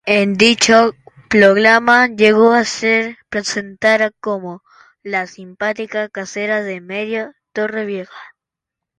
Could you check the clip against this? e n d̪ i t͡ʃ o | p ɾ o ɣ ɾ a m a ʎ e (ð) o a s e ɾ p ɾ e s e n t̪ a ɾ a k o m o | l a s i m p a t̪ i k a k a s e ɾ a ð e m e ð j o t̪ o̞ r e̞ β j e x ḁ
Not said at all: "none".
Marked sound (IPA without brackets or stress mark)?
ɣ